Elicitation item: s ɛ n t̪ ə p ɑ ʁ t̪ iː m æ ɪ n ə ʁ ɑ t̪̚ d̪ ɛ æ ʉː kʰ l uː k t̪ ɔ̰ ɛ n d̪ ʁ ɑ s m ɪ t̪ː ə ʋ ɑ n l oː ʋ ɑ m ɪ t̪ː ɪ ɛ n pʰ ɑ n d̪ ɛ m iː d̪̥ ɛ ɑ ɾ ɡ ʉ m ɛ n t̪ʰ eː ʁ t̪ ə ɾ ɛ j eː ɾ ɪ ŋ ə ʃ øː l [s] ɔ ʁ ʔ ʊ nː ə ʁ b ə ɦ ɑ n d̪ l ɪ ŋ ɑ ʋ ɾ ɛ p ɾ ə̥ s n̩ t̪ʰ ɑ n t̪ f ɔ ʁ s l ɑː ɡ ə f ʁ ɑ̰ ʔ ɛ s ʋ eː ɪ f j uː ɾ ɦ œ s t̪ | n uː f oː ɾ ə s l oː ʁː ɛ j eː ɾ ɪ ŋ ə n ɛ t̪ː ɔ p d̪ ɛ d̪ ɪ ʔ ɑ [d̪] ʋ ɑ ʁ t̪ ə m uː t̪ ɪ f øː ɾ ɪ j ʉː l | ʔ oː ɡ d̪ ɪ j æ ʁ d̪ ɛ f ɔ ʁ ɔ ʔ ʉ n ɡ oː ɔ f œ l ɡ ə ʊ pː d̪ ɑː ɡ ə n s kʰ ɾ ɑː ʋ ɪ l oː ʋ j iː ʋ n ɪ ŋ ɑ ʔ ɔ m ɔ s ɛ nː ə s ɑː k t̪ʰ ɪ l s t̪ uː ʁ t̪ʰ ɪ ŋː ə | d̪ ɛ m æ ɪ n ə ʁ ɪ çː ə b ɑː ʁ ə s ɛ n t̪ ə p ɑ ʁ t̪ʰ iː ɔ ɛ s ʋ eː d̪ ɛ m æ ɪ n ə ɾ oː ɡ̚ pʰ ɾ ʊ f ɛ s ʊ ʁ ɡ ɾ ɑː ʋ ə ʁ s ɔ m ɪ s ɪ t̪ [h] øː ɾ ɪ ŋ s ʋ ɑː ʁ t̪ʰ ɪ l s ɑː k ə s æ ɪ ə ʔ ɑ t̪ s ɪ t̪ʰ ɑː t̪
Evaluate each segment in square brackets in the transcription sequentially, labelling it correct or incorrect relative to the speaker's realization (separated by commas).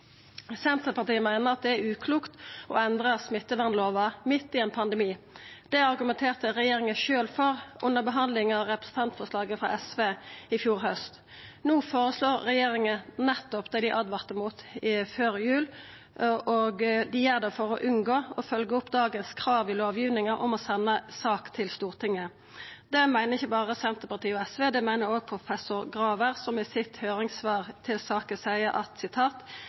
incorrect, correct, correct